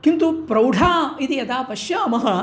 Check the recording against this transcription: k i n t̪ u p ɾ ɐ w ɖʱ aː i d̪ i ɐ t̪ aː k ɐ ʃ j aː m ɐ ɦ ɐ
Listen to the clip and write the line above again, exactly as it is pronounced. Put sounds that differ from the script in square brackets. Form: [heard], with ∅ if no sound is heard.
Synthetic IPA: k i n t̪ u p ɾ ɐ w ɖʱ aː i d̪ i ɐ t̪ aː [p] ɐ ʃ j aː m ɐ ɦ ɐ